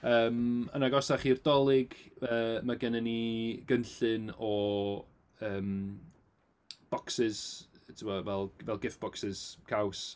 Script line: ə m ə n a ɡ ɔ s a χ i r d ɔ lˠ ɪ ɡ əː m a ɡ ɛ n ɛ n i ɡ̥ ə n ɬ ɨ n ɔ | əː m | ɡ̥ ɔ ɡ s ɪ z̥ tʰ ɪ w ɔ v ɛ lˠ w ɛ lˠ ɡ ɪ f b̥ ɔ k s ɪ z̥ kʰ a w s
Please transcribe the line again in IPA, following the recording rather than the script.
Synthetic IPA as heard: əː m ə n a ɡ ɔ s a χ i r d ɔ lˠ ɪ ɡ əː m a ɡ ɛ n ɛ n i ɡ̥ ə n ɬ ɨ n ɔ | əː m | b̥ ɔ k s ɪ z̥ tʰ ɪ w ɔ v ɛ lˠ v ɛ lˠ ɡ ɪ f b̥ ɔ k s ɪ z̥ kʰ a w s